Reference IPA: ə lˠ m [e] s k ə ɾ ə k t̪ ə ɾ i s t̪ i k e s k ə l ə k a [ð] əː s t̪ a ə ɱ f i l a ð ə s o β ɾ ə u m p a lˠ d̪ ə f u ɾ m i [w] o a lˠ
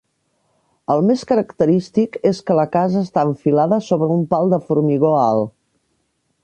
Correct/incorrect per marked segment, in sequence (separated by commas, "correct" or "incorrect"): correct, incorrect, incorrect